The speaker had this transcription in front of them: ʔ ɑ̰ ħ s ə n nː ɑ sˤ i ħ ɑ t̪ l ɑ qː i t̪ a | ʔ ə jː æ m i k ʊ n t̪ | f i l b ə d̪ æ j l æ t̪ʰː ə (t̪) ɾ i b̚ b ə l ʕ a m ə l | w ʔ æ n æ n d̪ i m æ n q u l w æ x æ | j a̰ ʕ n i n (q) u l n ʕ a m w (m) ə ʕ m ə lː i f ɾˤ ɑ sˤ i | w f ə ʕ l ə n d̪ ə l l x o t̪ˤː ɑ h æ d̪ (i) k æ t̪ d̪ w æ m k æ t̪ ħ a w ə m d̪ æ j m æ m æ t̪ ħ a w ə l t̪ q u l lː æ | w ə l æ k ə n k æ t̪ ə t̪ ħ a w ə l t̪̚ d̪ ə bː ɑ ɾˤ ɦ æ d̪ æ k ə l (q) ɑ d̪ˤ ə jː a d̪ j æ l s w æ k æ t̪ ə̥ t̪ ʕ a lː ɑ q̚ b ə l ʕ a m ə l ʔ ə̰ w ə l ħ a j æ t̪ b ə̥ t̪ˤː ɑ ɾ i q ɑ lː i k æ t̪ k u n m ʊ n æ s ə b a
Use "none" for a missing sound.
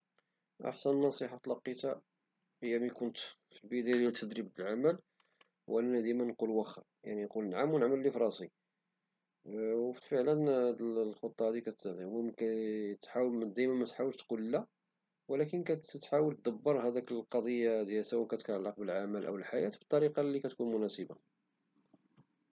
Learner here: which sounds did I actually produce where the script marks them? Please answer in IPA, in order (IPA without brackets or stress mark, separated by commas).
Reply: d̪, q, n, i, q